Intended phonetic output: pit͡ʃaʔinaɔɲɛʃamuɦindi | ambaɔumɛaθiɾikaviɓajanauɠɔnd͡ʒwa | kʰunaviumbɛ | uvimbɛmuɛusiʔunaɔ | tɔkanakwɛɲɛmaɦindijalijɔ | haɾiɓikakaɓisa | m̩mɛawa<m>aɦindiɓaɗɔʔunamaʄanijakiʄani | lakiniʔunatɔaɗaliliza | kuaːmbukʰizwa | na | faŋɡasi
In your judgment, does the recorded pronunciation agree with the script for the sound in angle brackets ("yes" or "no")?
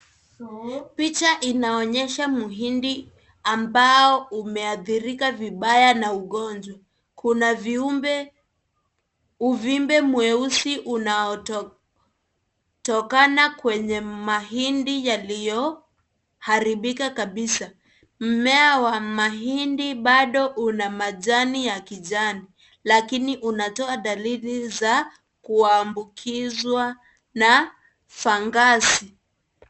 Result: yes